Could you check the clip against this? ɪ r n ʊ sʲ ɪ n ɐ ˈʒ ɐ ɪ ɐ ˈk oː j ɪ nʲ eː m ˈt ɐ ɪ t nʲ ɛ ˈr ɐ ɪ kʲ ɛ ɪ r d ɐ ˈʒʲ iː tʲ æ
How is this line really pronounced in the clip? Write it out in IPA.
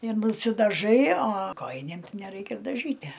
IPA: ɪ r n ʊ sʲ ɪ d ɐ ˈʒ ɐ ɪ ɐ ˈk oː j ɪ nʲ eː m ˈt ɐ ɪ nʲ ɛ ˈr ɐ ɪ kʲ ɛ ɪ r d ɐ ˈʒʲ iː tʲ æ

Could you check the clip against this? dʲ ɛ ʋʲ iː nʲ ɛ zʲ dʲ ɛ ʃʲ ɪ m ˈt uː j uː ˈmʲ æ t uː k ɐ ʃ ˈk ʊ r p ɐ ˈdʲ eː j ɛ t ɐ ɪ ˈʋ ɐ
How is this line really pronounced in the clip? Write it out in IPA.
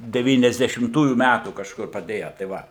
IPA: dʲ ɛ ʋʲ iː nʲ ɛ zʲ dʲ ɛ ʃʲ ɪ m ˈt uː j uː ˈmʲ æ t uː k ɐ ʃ ˈk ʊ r p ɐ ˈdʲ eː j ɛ t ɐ ɪ ˈʋ ɐ

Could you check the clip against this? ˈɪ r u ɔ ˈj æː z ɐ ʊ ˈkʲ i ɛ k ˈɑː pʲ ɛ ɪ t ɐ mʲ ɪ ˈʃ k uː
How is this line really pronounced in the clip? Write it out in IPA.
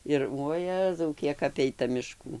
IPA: ˈɪ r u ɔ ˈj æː z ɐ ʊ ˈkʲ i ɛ k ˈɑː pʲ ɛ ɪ t ɐ mʲ ɪ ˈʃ k uː

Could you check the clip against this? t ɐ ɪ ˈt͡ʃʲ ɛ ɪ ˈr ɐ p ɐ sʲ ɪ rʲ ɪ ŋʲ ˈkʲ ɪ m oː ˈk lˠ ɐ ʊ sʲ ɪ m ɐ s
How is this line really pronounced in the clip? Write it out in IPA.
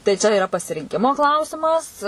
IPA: t ɐ ɪ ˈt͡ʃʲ ɛ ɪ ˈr ɐ p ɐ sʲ ɪ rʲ ɪ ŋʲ ˈkʲ ɪ m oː ˈk lˠ ɐ ʊ sʲ ɪ m ɐ s

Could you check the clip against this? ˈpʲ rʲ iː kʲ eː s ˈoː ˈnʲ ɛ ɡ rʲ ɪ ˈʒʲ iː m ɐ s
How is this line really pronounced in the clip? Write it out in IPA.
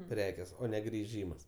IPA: ˈpʲ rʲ æː kʲ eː s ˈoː ˈnʲ ɛ ɡ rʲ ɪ ˈʒʲ iː m ɐ s

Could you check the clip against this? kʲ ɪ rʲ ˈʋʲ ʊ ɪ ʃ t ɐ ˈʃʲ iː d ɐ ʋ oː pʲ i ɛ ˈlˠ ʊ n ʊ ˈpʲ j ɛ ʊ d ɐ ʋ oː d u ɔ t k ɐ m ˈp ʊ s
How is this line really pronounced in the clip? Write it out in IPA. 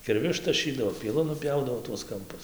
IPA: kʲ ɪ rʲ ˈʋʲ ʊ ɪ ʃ t ɐ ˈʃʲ iː d ɐ ʋ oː pʲ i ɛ ˈlˠ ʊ n ʊ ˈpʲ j ɛ ʊ d ɐ ʋ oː t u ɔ s k ɐ m ˈp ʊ s

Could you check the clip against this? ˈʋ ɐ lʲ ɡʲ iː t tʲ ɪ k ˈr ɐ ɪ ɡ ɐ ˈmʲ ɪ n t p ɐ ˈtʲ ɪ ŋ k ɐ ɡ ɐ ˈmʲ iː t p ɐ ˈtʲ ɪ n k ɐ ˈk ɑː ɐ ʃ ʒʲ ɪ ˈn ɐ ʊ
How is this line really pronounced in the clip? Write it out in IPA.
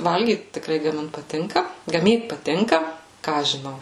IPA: ˈʋ ɐ lʲ ɡʲ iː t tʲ ɪ k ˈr ɐ ɪ ɡ ɐ ˈmʲ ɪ n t p ɐ ˈtʲ ɪ ŋ k ɐ ɡ ɐ ˈmʲ iː t p ɐ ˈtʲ ɪ ŋ k ɐ ˈk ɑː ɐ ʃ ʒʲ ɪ ˈn ɐ ʊ

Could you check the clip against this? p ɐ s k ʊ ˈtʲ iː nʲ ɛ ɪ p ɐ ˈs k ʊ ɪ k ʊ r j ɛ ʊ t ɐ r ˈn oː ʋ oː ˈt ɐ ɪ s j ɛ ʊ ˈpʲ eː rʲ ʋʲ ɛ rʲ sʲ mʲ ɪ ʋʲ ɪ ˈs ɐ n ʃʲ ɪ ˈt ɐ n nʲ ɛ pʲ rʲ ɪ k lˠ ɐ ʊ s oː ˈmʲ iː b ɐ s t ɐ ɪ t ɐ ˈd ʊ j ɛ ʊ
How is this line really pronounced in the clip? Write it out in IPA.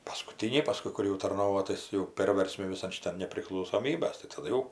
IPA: p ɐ s k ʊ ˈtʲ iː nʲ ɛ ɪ p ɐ ˈs k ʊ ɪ k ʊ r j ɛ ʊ t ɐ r ˈn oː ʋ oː ˈt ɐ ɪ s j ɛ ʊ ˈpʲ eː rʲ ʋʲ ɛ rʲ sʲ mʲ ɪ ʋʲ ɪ ˈs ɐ n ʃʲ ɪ ˈt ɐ n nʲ ɛ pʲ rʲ ɪ k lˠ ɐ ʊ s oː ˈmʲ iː b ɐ s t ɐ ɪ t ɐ ˈd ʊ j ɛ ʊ

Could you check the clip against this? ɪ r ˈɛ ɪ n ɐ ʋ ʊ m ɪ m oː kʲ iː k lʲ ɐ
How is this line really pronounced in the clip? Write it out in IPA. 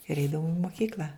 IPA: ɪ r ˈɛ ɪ d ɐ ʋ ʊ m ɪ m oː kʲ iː k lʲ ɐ

